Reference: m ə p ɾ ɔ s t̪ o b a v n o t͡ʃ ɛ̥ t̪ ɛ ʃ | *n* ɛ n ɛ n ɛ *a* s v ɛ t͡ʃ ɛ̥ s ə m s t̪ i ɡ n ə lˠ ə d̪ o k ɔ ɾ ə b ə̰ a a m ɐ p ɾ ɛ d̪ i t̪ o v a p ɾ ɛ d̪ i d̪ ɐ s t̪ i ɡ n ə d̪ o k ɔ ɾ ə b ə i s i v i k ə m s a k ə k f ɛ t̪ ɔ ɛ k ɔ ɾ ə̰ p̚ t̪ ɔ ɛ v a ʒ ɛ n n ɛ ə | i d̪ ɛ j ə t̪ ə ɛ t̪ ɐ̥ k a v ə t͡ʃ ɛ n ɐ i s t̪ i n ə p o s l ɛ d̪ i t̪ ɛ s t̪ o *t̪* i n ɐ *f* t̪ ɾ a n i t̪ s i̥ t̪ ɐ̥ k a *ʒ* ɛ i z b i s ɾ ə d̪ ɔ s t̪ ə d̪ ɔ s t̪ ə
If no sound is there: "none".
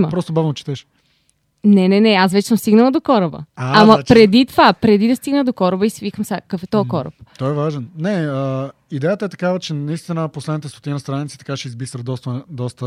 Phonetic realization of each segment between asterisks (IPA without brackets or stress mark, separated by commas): n, a, t̪, s, ʃ